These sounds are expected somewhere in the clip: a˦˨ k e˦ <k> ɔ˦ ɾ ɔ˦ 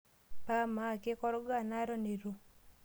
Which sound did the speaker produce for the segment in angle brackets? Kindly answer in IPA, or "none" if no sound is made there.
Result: k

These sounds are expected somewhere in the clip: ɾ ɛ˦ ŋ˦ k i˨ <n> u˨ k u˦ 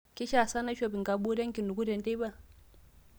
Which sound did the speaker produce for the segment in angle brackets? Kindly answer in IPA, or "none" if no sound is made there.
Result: n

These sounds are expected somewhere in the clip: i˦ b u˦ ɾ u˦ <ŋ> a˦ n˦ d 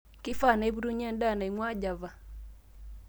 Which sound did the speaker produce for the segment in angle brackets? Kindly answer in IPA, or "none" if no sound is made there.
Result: ɲ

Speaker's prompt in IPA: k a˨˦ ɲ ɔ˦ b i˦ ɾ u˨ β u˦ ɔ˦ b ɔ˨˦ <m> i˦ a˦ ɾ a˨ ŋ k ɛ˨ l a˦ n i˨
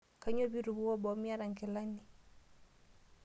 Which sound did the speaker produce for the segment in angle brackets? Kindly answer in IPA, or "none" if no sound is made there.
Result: m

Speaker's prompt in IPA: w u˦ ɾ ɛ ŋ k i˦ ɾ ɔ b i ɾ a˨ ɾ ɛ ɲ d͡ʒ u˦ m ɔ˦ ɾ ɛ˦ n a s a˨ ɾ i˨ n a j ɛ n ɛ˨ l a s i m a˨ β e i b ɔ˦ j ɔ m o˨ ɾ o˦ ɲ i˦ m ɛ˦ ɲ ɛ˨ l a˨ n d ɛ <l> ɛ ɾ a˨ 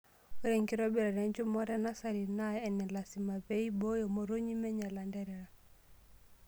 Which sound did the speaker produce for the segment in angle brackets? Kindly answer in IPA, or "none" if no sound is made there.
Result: ɾ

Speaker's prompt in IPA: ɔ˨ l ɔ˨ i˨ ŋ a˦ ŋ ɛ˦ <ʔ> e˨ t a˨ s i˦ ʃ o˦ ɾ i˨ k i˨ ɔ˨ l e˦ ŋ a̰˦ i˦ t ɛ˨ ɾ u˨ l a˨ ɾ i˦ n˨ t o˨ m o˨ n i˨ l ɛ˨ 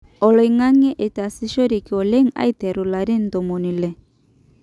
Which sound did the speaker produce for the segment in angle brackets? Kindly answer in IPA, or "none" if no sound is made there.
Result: ʔ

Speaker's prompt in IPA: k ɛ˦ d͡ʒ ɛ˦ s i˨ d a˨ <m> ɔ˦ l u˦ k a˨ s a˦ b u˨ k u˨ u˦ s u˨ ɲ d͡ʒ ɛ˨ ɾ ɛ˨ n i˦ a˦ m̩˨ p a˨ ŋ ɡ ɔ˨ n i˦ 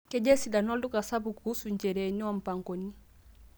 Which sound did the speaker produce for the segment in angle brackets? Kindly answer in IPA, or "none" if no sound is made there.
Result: n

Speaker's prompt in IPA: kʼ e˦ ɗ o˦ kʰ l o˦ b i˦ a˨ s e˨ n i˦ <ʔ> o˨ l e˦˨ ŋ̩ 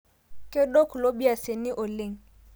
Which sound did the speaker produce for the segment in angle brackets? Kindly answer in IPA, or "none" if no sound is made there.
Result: ʔ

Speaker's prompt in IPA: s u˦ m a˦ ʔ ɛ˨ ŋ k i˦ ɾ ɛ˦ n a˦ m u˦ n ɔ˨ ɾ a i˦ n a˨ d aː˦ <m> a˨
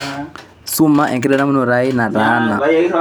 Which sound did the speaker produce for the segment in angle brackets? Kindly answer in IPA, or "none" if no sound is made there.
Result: n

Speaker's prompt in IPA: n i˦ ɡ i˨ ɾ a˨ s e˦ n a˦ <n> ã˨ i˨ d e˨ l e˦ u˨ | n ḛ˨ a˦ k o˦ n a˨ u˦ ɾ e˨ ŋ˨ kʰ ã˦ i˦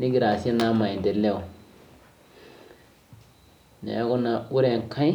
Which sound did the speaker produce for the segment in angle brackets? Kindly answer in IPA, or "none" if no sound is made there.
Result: m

